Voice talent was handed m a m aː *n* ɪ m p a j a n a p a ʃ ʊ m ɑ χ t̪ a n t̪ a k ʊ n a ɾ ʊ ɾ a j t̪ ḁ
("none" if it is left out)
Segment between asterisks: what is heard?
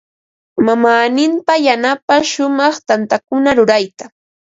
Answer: n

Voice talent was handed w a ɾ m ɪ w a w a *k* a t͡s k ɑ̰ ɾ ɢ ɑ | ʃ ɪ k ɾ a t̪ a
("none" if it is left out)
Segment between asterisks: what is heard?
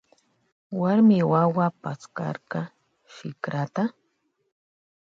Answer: p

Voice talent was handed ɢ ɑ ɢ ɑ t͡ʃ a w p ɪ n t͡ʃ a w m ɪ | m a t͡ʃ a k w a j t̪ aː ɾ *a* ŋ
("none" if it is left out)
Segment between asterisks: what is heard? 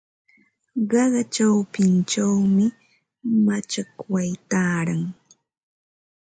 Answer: a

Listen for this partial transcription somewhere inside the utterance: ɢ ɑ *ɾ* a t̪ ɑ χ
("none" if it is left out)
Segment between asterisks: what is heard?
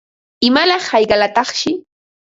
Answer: l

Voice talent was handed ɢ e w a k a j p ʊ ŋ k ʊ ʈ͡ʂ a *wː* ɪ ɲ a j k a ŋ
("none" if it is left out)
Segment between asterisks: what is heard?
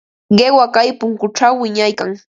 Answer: wː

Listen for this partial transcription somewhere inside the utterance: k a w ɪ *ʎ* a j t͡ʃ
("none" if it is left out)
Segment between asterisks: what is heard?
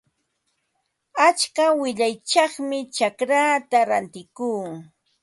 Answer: ʎ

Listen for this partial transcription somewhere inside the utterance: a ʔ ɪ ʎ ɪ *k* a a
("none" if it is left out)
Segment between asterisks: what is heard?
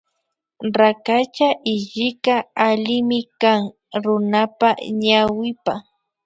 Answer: k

